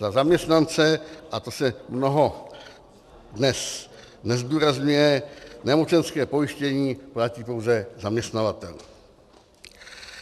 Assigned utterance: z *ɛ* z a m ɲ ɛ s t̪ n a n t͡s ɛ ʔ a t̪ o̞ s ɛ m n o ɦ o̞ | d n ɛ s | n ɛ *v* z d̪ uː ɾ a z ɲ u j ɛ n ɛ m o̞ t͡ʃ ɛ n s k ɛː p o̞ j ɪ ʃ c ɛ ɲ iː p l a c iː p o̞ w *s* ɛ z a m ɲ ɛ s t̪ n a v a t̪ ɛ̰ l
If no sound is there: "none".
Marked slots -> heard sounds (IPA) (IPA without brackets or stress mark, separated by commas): a, none, z